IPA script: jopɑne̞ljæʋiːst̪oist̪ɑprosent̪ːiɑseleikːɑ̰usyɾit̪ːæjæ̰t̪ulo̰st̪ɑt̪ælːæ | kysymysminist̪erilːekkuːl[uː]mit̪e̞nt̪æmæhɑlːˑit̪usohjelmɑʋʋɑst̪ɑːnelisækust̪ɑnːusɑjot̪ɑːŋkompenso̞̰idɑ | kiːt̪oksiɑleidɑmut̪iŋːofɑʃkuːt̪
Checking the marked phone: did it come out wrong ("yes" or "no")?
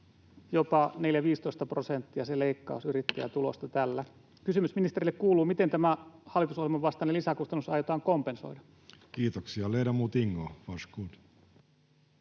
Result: no